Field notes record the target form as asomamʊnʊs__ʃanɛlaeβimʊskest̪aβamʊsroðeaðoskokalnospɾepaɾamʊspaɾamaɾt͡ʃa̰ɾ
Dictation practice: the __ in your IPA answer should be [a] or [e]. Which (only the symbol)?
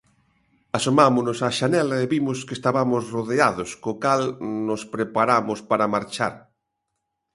a